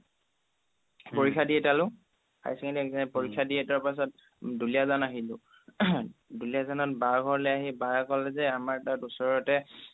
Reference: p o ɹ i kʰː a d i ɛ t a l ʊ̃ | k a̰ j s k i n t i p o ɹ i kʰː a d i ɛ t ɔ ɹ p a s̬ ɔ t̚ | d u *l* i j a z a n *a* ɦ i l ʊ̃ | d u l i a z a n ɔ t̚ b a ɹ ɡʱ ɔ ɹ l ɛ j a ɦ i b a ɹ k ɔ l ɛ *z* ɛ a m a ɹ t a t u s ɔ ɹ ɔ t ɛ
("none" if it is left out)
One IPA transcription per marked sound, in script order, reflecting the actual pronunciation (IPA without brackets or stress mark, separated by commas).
l, a, z